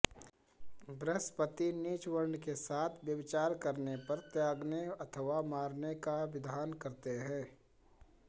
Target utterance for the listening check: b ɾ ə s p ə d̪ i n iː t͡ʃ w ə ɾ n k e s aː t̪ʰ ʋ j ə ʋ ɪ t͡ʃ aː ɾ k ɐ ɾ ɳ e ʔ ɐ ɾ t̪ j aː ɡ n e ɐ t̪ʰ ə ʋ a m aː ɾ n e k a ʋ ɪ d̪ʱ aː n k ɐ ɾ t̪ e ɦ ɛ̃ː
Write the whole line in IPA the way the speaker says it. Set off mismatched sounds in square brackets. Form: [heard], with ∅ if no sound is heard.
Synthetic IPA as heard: b ɾ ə s p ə [t̪] i n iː t͡ʃ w ə ɾ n k e s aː t̪ʰ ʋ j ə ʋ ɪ t͡ʃ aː ɾ k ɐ ɾ [n] e [p] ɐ ɾ t̪ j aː ɡ n e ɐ t̪ʰ ə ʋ a m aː ɾ n e k a ʋ ɪ d̪ʱ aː n k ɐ ɾ t̪ e ɦ ɛ̃ː